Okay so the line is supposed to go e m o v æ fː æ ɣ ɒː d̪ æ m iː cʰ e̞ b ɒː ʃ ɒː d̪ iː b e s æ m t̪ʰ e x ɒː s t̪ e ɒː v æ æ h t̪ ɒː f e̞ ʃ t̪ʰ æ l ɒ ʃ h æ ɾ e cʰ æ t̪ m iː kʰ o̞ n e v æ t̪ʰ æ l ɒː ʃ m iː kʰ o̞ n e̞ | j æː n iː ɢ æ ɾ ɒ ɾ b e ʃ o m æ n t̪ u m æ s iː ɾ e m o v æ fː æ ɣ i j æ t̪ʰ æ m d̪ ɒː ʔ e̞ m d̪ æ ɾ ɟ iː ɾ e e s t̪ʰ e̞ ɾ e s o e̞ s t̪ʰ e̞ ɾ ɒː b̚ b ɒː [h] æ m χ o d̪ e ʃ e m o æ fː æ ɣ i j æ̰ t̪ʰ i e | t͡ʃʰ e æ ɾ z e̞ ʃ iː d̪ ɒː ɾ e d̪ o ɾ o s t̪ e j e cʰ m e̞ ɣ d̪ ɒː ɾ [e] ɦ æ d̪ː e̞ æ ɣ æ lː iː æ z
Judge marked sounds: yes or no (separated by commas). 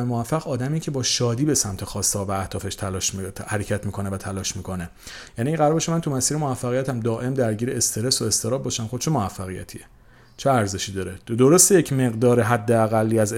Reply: no, yes